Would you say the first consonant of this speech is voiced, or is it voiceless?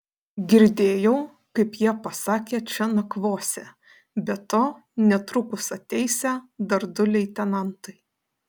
voiced